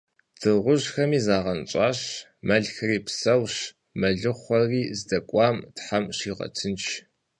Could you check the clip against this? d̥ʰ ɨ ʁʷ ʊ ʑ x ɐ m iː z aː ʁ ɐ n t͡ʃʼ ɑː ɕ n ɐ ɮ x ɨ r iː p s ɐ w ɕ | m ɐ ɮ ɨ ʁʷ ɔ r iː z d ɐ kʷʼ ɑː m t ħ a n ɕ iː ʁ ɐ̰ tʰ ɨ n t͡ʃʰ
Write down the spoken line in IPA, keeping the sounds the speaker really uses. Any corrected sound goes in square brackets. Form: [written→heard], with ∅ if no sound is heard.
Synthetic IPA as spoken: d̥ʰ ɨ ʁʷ ʊ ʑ x ɐ m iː z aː ʁ ɐ n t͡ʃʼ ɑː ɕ [n→m] ɐ ɮ x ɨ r iː p s ɐ w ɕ | m ɐ ɮ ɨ [ʁʷ→χʷ] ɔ r iː z d ɐ kʷʼ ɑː m t ħ a [n→m] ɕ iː ʁ ɐ̰ tʰ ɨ n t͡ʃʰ